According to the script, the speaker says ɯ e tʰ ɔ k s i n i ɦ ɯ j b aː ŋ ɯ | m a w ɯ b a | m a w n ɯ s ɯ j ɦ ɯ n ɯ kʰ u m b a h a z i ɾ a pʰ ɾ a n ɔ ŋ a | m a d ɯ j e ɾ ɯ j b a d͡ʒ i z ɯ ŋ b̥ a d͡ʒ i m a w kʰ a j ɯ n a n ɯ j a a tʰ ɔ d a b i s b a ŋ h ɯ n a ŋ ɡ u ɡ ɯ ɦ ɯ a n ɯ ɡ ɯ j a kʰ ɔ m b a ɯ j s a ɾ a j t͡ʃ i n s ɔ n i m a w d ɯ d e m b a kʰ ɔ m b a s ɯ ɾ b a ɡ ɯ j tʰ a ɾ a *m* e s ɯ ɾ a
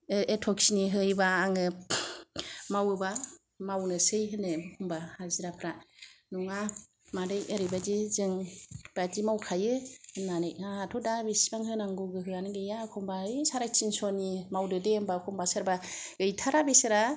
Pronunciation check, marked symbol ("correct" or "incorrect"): incorrect